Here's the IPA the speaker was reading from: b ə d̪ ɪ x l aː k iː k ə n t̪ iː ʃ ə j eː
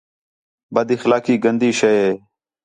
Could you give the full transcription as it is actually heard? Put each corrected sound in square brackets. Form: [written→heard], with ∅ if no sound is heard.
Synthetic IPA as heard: b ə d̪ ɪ x l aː k iː [k→ɡ] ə n [t̪→d̪] iː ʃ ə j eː

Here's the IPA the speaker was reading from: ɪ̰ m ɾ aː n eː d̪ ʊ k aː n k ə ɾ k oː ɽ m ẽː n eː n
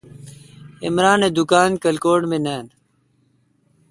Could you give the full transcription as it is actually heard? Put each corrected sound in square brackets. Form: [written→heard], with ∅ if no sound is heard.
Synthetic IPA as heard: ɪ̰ m ɾ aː n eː d̪ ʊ k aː n k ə [ɾ→l] k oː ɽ m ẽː n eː n

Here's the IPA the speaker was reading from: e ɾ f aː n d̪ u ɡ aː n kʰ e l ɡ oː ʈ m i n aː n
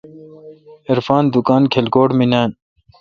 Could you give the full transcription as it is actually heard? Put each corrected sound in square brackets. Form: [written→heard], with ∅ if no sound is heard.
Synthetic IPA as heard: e ɾ f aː n d̪ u [ɡ→k] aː n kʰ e l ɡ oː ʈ m i n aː n

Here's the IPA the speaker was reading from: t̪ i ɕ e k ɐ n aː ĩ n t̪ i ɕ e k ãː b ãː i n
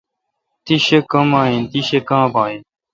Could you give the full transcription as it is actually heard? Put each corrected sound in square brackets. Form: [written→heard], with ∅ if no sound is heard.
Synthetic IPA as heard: t̪ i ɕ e k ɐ [n→m] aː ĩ n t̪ i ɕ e k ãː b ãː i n

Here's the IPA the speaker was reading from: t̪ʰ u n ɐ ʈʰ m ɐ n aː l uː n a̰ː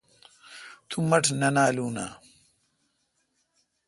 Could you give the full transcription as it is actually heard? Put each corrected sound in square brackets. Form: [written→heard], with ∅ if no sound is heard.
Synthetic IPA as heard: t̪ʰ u [n→m] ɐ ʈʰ [m→n] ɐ n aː l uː n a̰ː

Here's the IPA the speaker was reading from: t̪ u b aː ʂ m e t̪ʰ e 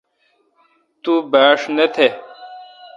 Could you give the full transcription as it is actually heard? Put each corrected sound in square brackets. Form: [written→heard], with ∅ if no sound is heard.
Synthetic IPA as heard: t̪ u b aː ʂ [m→n] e t̪ʰ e

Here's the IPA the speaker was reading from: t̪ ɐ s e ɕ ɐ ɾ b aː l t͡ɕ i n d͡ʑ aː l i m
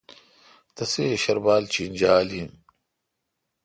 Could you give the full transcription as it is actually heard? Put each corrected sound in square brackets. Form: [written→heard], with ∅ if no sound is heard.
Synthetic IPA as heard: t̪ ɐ s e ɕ ɐ ɾ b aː l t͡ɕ i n d͡ʑ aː l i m

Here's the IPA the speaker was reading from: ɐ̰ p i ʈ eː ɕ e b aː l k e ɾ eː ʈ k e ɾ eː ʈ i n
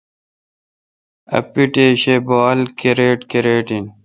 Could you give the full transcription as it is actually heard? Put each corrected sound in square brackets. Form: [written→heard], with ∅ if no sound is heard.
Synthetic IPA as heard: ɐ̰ p i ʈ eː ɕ e b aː l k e ɾ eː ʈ k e ɾ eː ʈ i n

